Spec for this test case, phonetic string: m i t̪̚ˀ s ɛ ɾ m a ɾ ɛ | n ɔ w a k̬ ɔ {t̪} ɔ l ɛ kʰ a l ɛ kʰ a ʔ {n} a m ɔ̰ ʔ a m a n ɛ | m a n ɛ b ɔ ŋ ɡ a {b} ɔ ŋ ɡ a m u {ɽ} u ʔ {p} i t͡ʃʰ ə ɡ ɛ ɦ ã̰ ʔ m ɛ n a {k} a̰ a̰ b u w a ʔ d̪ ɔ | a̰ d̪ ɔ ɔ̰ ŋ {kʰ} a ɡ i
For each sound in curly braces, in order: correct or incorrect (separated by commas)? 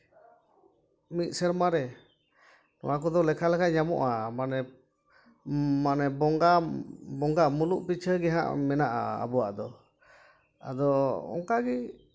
incorrect, incorrect, correct, incorrect, correct, incorrect, incorrect